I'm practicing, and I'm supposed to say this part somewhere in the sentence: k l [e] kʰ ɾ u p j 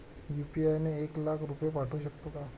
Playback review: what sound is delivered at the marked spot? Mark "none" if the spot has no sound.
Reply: a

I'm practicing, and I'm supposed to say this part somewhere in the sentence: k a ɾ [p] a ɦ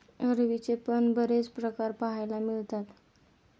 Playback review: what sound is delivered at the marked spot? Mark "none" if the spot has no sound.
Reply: p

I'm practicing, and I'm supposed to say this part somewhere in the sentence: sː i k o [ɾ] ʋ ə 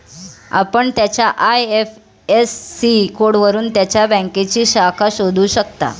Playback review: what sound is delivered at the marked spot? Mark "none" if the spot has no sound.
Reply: ɽ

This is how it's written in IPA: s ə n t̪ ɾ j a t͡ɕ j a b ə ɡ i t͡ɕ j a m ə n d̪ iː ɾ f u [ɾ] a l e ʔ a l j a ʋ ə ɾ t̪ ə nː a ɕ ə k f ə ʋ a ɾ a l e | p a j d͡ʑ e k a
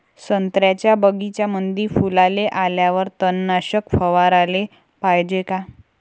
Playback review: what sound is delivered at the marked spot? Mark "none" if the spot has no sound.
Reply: l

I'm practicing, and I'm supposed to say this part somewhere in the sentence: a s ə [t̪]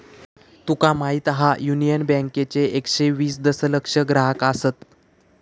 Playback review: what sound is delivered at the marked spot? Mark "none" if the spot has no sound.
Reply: t̪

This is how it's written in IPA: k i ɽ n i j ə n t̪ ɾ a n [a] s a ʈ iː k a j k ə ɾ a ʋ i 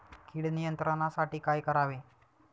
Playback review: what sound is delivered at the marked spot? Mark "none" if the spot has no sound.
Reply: a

